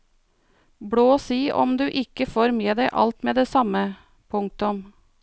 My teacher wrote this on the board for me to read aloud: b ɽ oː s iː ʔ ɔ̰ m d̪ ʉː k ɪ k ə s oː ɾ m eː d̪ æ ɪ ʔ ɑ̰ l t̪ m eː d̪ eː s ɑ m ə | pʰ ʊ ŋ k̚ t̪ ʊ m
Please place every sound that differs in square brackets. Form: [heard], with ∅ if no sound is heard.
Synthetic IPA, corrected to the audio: b ɽ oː s iː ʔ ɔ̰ m d̪ ʉː [ʔ] ɪ k ə [f] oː ɾ m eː d̪ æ ɪ ʔ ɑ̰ l t̪ m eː d̪ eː s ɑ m ə | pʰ ʊ ŋ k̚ t̪ ʊ m